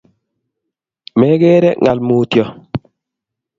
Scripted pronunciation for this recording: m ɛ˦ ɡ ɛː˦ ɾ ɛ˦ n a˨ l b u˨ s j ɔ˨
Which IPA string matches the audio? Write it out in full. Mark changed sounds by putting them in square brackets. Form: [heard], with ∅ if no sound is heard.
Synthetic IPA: m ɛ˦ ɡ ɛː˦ ɾ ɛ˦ [ŋ] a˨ l [m] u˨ [t] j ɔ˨